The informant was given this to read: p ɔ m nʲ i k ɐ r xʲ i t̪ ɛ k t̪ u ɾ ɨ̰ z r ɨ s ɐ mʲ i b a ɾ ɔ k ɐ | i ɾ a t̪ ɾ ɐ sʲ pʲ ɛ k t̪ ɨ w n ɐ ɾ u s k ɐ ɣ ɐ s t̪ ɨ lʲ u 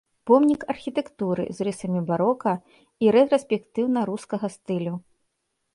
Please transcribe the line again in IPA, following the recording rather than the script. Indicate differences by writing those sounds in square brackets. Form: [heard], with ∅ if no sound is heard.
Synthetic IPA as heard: p ɔ m nʲ i k ɐ r xʲ i t̪ ɛ k t̪ u ɾ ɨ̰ z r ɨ s ɐ mʲ i b a ɾ ɔ k ɐ | i ɾ [ɛ] t̪ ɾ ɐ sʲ pʲ ɛ k t̪ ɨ w n ɐ ɾ u s k ɐ ɣ ɐ s t̪ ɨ lʲ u